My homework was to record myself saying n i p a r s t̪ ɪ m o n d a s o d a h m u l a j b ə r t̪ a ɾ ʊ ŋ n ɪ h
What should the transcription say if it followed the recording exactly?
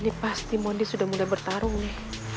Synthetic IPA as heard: n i p a s t̪ i m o n d i s u d a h m u l a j b ə r t̪ a ɾ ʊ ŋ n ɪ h